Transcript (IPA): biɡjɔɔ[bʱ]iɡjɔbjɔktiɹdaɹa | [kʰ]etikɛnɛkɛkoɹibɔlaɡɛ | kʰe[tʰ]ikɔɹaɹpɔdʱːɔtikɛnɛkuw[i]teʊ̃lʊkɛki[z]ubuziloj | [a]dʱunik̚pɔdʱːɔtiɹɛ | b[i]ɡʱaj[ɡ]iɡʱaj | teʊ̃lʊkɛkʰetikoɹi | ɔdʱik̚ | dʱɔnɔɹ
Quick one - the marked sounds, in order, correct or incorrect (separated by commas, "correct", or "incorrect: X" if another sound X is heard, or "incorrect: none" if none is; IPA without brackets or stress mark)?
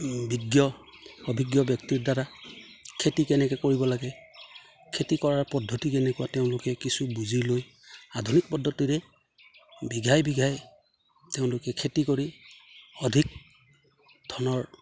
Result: correct, correct, incorrect: t, incorrect: a, incorrect: s, correct, correct, incorrect: b